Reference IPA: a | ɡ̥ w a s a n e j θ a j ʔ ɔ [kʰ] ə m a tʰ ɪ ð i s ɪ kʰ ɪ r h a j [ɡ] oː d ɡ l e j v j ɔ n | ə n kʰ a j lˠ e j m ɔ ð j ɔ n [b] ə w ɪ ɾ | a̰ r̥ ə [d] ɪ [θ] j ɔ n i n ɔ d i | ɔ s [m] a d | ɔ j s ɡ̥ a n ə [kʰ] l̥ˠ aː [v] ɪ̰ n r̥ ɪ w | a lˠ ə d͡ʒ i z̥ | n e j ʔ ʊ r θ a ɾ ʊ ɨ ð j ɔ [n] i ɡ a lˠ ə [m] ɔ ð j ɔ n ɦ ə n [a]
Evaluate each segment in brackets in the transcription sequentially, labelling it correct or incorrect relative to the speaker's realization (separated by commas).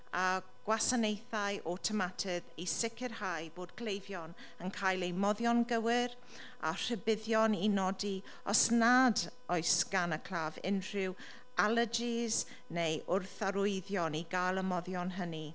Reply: incorrect, incorrect, incorrect, incorrect, incorrect, incorrect, correct, correct, correct, correct, incorrect